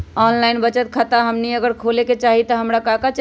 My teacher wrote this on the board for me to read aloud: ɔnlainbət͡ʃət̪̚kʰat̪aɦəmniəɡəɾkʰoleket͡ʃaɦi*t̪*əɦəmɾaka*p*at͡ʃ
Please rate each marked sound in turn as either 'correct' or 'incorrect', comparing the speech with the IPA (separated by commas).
correct, incorrect